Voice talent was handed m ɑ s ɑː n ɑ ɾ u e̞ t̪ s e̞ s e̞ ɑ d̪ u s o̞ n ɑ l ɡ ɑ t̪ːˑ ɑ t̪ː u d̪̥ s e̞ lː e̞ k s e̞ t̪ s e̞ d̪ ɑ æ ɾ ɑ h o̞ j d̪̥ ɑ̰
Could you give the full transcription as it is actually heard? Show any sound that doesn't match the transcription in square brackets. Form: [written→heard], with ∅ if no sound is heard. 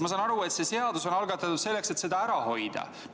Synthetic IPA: m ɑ s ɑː n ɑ ɾ u e̞ t̪ s e̞ s e̞ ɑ d̪ u s o̞ n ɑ l ɡ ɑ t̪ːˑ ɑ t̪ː u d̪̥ s e̞ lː e̞ k s e̞ t̪ s e̞ d̪ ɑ æ ɾ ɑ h o̞ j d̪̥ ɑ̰